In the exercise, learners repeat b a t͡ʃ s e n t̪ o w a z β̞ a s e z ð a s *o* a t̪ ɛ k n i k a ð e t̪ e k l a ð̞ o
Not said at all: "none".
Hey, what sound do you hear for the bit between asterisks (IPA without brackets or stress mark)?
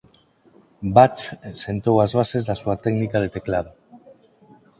u